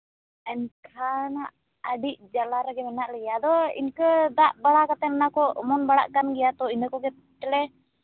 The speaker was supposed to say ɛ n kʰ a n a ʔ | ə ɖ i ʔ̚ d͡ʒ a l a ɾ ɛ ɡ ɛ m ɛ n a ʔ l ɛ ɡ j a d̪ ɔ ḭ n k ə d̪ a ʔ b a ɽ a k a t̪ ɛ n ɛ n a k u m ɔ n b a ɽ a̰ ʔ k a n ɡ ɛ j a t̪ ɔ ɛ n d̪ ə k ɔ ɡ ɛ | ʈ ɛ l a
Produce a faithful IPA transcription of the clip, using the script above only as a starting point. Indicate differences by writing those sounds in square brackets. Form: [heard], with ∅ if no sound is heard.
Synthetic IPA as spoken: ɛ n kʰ a n a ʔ | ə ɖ i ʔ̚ d͡ʒ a l a ɾ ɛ ɡ ɛ m ɛ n a ʔ l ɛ ɡ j a d̪ ɔ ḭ n k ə d̪ a ʔ b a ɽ a k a t̪ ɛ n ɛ n a k [ɔ] m ɔ n b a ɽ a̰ ʔ k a n ɡ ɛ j a t̪ ɔ [i] n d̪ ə k ɔ ɡ ɛ | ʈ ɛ l [ɛ]

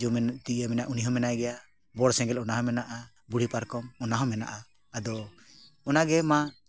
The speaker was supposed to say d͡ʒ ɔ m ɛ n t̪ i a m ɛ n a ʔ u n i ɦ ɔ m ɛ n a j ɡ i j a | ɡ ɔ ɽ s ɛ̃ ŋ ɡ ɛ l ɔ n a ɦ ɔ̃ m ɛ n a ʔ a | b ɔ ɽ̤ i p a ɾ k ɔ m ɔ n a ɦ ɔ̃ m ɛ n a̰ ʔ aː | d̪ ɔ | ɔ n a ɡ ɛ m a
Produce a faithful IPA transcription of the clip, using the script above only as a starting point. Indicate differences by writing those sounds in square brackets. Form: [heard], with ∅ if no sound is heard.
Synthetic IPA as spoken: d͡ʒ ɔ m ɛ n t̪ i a m ɛ n a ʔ u n i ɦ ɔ m ɛ n a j ɡ [ɛ] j a | [b] ɔ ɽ s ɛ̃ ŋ ɡ ɛ l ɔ n a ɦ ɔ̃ m ɛ n a ʔ a | b [u] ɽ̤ i p a ɾ k ɔ m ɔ n a ɦ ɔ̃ m ɛ n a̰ ʔ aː | d̪ ɔ | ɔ n a ɡ ɛ m a

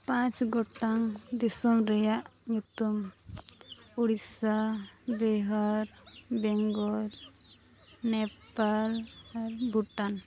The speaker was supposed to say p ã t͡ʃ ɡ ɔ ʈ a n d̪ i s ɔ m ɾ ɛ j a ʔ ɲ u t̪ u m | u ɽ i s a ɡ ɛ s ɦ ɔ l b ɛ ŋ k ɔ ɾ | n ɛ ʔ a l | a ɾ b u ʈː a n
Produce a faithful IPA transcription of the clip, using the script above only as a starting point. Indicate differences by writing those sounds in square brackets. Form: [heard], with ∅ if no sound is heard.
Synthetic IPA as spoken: p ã t͡ʃ ɡ ɔ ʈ a [ŋ] d̪ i s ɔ m ɾ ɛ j a ʔ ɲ u t̪ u m | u ɽ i s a [b] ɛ [∅] ɦ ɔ [ɾ] b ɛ ŋ [ɡ] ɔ ɾ | n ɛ [p] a l | a ɾ b u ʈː a n

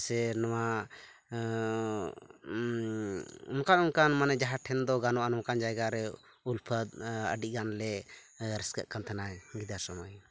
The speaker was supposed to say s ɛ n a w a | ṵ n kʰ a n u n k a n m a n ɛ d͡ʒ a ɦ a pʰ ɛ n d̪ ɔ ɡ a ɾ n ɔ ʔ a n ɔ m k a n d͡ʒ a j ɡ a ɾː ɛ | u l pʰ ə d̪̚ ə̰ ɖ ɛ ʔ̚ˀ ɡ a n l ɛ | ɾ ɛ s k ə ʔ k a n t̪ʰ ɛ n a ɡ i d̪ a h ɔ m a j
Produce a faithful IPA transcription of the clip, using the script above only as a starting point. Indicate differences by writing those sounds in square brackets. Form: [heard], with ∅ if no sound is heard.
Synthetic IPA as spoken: s ɛ n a w a | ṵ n [k] a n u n k a n m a n ɛ d͡ʒ a ɦ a [ʈʰ] ɛ n d̪ ɔ ɡ a [∅] n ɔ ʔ a n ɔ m k a n d͡ʒ a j ɡ a [ɾ] ɛ | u l pʰ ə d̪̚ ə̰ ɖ [i] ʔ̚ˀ ɡ a n l ɛ | ɾ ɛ s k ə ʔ k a n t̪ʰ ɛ n a ɡ i d̪ a [s] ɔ m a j

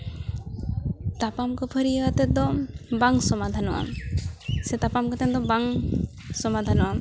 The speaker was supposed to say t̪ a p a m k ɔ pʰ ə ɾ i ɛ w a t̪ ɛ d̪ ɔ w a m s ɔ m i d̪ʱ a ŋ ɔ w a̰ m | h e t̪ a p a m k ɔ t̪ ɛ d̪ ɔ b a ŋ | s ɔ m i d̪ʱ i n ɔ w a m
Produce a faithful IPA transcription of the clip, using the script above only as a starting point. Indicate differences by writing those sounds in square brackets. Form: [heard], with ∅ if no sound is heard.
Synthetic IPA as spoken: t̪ a p a m k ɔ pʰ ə ɾ i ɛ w a t̪ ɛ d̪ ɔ [b] a [ŋ] s ɔ m [a] d̪ʱ a [n] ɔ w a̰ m | [s] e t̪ a p a m k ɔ t̪ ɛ d̪ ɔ b a ŋ | s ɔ m [a] d̪ʱ [a] n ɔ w a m

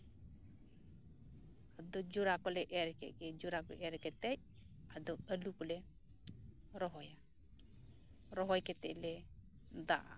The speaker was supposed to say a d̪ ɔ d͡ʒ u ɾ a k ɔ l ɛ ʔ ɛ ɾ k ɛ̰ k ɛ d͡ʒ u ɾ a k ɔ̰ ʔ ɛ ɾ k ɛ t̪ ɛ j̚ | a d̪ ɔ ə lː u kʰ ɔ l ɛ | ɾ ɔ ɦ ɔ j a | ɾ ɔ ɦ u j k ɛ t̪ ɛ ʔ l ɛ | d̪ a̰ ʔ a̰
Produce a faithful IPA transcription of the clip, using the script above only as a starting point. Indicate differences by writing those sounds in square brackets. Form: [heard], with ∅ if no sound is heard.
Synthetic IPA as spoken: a d̪ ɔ d͡ʒ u ɾ a k ɔ l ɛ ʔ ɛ ɾ k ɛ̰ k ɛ d͡ʒ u ɾ a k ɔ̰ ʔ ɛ ɾ k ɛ t̪ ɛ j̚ | a d̪ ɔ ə [l] u [k] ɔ l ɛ | ɾ ɔ ɦ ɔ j a | ɾ ɔ ɦ [ɔ] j k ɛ t̪ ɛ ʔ l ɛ | d̪ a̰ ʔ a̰

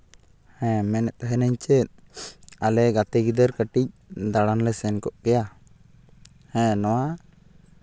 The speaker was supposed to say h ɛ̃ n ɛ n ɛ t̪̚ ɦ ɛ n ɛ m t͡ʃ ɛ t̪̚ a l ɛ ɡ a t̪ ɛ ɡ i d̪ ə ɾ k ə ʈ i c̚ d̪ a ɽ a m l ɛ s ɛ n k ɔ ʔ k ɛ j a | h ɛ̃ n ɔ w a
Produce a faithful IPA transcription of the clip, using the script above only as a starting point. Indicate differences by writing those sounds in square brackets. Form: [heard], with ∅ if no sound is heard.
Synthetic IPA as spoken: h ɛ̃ [m] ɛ n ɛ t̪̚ ɦ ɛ n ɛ [ɲ] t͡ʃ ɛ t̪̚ a l ɛ ɡ a t̪ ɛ ɡ i d̪ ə ɾ k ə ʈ i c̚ d̪ a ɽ a [n] l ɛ s ɛ n k ɔ ʔ k ɛ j a | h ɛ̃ n ɔ w a

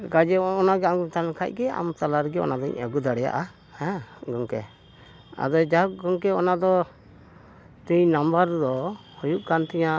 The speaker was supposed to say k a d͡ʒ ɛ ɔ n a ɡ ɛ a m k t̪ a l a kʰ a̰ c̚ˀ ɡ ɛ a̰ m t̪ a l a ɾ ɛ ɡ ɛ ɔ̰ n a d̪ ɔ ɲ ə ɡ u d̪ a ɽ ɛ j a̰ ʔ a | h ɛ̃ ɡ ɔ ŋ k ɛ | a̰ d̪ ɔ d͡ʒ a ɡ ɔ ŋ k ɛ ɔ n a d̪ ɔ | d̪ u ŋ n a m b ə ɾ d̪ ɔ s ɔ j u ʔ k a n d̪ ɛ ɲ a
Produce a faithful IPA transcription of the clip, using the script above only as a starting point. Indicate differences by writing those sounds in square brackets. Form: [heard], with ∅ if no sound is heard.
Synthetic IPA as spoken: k a d͡ʒ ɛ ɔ n a ɡ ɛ a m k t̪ a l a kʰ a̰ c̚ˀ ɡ ɛ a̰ m t̪ a l a ɾ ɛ ɡ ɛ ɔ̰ n a d̪ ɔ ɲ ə ɡ u d̪ a ɽ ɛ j a̰ ʔ a | h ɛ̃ ɡ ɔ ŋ k ɛ | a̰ d̪ ɔ d͡ʒ a ɡ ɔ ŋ k ɛ ɔ n a d̪ ɔ | [t̪] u [ɲ] n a m b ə ɾ d̪ ɔ [h] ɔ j u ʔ k a n [t̪] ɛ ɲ a

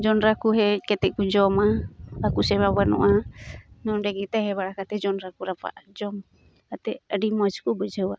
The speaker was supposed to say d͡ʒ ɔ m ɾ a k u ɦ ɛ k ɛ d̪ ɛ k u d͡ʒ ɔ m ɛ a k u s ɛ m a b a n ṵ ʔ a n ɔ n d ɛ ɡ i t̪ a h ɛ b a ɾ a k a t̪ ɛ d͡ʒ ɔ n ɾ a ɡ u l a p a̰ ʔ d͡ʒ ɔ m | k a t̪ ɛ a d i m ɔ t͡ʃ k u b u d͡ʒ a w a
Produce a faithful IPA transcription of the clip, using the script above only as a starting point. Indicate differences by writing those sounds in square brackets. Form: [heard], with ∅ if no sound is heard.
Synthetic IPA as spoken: d͡ʒ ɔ [n] ɾ a k u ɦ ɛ k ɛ [t̪] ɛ k u d͡ʒ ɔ m [a] a k u s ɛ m a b a n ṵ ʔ a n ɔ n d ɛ ɡ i t̪ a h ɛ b a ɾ a k a t̪ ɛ d͡ʒ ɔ n ɾ a [k] u [ɾ] a p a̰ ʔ d͡ʒ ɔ m | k a t̪ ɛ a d i m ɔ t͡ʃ k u b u d͡ʒ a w a

